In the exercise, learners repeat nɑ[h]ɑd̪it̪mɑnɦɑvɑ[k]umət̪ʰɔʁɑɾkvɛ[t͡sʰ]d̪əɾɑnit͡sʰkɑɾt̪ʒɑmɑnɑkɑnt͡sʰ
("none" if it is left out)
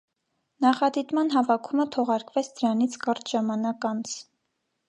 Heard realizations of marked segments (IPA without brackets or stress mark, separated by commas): χ, kʰ, t͡sʰ